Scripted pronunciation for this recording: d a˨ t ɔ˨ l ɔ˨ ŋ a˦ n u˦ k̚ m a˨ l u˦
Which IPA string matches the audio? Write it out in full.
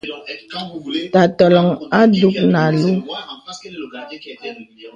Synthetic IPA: t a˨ t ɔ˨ l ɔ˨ ŋ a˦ d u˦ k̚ n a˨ l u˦